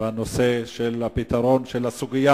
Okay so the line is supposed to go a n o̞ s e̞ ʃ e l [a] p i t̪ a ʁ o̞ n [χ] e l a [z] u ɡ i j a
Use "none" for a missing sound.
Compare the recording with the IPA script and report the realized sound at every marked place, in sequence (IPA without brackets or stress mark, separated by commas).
a, ʃ, s